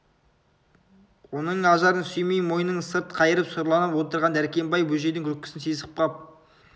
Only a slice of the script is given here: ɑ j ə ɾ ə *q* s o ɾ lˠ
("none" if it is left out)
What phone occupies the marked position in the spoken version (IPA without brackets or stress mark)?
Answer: p